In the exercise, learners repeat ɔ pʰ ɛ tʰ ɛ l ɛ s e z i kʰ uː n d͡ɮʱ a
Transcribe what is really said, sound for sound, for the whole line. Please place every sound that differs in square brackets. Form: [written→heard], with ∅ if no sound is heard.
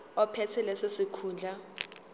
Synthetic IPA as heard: ɔ pʰ ɛ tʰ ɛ l ɛ s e [z→s] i kʰ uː n d͡ɮʱ a